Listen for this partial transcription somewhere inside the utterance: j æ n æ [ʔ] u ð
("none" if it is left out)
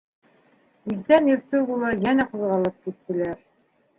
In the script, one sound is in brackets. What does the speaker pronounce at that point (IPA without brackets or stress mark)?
q